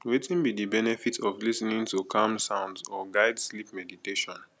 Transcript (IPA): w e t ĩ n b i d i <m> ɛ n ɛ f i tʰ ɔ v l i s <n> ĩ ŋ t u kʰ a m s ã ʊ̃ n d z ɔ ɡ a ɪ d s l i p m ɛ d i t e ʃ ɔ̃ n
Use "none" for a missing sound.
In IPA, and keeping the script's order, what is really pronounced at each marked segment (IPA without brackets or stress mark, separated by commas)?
b, n